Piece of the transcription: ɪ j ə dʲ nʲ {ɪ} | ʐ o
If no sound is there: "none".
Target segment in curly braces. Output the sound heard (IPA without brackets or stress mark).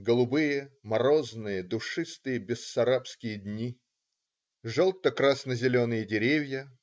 i